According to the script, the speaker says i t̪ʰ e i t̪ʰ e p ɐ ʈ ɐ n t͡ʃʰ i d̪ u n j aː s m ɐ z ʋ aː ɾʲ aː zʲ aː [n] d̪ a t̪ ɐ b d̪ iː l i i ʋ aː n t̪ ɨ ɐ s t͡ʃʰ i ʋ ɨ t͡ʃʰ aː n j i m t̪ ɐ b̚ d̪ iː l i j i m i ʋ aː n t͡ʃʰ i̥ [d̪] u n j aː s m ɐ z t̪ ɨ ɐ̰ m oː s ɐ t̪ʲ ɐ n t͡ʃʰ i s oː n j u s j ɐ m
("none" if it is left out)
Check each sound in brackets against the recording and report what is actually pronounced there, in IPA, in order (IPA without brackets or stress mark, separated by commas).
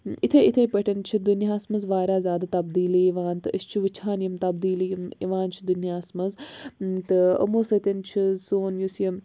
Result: none, d̪